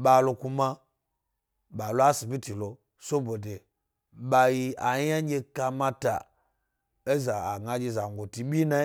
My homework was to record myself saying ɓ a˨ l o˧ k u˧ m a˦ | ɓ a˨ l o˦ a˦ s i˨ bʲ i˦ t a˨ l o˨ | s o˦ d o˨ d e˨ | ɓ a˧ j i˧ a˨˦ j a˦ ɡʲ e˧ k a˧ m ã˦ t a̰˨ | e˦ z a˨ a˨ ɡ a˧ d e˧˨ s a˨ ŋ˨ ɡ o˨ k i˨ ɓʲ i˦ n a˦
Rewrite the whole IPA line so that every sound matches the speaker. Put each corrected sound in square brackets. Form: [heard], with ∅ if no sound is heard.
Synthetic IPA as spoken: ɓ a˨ l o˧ k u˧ m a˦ | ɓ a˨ l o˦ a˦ s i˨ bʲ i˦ t [i˨] l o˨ | s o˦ [b] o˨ d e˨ | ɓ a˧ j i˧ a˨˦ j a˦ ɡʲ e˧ k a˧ m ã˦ t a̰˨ | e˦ z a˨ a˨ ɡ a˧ [d͡ʒ] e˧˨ [z] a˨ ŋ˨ ɡ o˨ [t] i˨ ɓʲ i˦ n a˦